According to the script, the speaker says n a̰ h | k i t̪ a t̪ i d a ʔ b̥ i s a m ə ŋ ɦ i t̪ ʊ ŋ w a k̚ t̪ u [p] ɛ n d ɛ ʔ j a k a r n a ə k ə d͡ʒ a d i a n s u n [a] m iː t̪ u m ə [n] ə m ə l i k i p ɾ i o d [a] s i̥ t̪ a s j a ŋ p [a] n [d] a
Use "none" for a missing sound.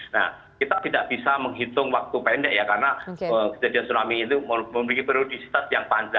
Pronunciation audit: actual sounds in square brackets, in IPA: p, a, m, i, a, d͡ʒ

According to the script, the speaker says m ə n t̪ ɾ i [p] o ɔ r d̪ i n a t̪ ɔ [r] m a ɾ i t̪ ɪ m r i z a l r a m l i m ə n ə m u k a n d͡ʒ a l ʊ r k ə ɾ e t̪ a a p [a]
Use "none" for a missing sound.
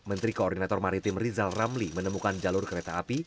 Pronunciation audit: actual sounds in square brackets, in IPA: k, r, i

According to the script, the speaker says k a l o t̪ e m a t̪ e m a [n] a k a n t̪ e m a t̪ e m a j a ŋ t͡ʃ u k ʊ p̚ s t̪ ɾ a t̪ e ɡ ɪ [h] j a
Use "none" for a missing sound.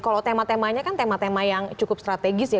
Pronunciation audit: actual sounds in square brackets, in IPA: ɲ, s

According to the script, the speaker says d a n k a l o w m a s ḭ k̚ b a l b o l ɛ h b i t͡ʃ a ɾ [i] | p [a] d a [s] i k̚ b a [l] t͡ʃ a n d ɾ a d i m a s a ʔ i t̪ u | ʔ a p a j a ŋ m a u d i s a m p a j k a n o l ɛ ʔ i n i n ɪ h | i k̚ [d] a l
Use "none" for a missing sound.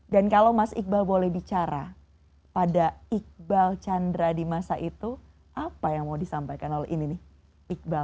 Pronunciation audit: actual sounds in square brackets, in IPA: a, a, none, l, b

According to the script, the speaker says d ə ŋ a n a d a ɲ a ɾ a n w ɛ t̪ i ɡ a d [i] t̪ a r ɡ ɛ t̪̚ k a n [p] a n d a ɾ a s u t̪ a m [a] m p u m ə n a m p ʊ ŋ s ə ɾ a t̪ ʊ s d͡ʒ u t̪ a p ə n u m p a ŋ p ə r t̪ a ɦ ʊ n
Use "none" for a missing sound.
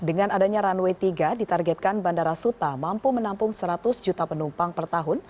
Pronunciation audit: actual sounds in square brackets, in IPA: i, b, a

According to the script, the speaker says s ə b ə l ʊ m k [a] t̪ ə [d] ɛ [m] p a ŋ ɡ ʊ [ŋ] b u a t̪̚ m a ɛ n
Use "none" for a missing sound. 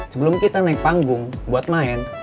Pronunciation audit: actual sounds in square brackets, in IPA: i, n, ŋ, ŋ

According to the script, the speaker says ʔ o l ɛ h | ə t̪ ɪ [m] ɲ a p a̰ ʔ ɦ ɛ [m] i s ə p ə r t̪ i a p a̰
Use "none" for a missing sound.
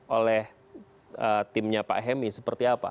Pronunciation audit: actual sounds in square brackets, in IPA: m, m

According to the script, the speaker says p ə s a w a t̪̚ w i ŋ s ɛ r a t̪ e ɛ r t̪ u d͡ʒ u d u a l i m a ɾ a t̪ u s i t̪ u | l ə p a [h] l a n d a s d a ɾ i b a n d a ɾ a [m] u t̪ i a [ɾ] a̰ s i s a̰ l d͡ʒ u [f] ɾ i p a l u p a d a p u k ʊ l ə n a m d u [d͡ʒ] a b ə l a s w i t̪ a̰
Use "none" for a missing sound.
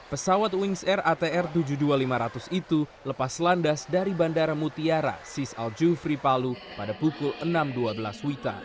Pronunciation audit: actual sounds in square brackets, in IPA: s, m, ɾ, f, none

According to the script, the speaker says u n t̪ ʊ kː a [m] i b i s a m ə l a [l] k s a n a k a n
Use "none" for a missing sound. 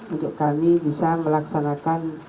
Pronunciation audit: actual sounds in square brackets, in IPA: m, none

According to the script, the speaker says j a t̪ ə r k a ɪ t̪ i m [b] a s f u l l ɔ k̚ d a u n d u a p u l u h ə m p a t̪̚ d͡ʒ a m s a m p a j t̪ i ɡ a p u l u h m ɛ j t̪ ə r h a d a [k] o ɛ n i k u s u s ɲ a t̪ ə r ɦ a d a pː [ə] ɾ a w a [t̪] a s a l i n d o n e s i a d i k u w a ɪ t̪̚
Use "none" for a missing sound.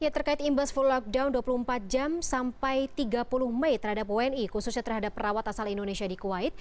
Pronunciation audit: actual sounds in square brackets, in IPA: b, p, ə, t̪

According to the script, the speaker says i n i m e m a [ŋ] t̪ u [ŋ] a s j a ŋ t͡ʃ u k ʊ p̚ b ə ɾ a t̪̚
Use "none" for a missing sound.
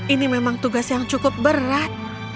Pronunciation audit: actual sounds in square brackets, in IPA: ŋ, ɡ

